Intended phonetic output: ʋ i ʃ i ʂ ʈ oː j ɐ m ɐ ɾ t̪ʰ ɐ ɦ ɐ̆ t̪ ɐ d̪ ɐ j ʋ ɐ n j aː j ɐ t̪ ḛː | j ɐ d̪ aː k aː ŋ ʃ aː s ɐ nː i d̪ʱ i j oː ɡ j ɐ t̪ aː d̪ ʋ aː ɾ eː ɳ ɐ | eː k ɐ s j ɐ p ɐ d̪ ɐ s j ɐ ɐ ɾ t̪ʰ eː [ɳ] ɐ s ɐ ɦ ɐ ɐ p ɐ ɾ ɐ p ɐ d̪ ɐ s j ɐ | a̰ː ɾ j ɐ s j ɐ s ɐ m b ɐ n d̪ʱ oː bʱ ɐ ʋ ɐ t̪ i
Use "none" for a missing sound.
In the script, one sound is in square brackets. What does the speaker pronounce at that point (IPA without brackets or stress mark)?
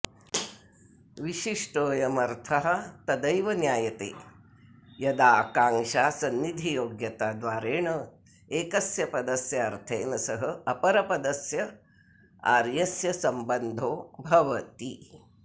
n